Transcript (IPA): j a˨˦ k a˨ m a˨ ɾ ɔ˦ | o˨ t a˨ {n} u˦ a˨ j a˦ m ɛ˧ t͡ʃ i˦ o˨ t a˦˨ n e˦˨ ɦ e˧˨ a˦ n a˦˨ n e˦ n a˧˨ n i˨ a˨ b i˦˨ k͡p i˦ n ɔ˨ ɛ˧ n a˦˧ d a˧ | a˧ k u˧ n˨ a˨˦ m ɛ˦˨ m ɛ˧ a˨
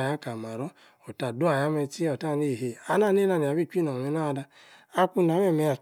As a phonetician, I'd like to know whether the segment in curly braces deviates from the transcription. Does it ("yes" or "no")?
yes